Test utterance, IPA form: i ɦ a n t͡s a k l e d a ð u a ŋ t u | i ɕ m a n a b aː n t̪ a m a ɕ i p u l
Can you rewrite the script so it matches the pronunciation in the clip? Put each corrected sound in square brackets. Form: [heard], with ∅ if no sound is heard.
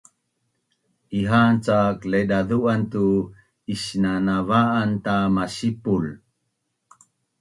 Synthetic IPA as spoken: i ɦ a n t͡s a k l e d a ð u a [n] t u | i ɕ [n] a n a [v] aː n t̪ a m a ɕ i p u l